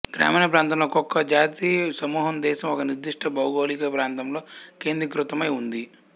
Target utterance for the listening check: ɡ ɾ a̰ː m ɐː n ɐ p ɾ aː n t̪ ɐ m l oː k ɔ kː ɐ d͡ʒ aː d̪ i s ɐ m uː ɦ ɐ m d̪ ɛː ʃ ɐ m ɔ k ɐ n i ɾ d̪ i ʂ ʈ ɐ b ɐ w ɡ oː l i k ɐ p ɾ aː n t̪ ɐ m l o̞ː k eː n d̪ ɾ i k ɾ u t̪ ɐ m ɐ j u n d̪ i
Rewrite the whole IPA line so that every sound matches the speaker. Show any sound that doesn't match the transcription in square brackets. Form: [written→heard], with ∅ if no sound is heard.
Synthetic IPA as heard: ɡ ɾ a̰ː m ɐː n ɐ p ɾ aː n t̪ ɐ m l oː k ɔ kː ɐ d͡ʒ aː [d̪→t̪] i s ɐ m uː ɦ ɐ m d̪ ɛː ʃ ɐ m ɔ k ɐ n i ɾ d̪ i ʂ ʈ ɐ b ɐ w ɡ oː l i k ɐ p ɾ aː n t̪ ɐ m l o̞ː k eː n d̪ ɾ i k ɾ u t̪ ɐ m ɐ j u n d̪ i